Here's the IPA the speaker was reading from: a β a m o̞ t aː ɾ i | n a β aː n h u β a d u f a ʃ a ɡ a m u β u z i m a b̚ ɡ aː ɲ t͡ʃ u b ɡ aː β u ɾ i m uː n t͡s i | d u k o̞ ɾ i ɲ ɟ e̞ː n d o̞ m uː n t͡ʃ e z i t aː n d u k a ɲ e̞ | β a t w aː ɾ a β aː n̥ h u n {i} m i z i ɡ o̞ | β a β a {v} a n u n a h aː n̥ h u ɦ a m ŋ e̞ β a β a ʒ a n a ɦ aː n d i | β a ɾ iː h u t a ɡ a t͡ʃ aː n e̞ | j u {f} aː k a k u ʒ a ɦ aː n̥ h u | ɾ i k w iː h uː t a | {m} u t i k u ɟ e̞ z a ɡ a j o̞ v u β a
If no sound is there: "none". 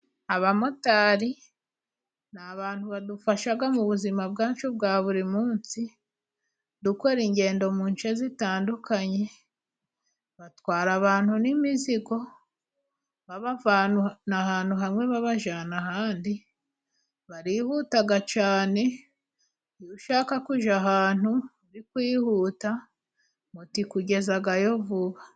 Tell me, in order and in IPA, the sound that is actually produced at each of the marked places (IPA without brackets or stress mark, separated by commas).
i, v, ʃ, m